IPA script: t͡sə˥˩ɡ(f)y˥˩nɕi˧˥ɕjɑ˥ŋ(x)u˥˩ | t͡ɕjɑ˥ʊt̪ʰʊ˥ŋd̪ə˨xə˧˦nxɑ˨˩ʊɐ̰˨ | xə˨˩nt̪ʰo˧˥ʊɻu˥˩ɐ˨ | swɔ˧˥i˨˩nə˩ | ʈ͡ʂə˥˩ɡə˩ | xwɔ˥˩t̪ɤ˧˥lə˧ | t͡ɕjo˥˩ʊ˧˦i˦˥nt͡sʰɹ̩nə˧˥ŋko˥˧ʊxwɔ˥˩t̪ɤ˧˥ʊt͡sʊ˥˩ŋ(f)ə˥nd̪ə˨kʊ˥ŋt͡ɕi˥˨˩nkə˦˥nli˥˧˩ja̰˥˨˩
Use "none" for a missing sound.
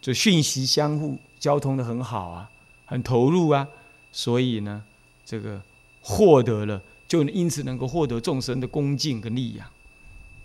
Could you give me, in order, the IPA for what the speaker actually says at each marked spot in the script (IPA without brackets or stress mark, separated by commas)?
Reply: ɕ, x, ʂ